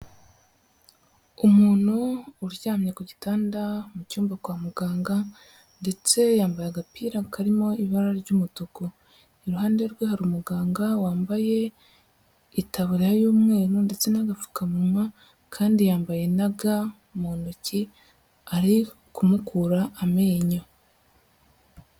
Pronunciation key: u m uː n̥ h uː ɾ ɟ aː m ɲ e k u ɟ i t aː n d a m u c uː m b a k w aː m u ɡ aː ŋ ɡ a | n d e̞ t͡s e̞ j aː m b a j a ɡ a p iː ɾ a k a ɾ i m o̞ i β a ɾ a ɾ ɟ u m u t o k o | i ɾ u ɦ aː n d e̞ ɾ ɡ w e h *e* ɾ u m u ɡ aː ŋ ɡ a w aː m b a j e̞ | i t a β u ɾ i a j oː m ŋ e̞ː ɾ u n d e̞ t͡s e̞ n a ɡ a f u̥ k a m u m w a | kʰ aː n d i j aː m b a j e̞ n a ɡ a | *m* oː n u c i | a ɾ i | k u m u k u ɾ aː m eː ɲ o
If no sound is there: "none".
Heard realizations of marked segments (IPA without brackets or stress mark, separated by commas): a, m